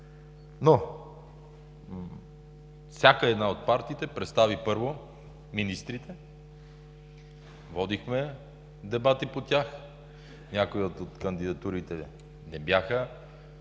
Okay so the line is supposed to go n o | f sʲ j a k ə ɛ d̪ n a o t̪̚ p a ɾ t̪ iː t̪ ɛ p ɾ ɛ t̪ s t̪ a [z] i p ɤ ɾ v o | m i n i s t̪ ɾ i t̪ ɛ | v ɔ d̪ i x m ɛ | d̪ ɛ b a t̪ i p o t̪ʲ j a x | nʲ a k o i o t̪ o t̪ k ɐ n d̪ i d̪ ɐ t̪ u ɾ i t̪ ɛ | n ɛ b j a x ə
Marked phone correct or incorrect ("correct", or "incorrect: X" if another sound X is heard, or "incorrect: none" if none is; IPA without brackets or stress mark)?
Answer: incorrect: v